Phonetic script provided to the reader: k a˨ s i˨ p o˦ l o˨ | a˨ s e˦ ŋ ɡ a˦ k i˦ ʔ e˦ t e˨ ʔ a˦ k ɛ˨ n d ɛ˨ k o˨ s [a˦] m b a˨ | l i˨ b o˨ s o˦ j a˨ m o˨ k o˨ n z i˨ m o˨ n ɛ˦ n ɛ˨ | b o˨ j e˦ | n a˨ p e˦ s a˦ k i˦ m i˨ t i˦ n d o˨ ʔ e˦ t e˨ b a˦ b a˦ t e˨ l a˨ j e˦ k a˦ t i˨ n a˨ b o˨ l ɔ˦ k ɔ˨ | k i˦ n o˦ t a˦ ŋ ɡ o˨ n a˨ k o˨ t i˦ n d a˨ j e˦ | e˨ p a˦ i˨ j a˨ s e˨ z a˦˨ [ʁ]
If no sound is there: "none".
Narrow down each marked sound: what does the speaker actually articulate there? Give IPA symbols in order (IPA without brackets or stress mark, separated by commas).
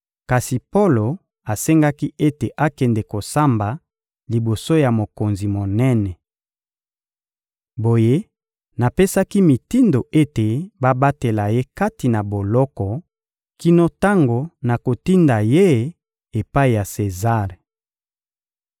a˦, ʁ